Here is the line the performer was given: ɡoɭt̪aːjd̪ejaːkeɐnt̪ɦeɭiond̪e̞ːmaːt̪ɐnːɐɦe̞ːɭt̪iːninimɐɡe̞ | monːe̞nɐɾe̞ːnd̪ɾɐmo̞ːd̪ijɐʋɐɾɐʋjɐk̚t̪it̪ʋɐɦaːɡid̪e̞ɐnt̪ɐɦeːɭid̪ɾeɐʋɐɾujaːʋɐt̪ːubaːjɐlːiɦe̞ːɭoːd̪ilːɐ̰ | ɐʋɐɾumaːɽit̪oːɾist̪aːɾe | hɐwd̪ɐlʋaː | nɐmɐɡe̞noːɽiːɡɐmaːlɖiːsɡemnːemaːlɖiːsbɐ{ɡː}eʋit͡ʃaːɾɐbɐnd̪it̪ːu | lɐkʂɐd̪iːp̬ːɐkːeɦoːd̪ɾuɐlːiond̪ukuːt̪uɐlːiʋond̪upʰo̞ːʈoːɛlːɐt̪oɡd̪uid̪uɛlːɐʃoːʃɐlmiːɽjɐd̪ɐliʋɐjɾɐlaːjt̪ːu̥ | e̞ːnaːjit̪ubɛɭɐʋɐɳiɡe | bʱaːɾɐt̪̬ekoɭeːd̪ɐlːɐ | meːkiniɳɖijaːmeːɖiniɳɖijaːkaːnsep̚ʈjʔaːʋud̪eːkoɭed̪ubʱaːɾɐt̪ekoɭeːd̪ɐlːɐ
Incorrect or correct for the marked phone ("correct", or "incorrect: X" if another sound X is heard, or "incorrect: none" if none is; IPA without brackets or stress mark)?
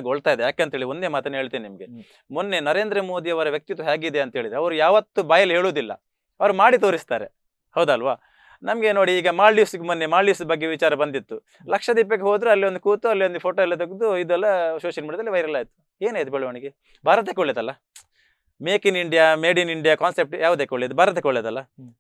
correct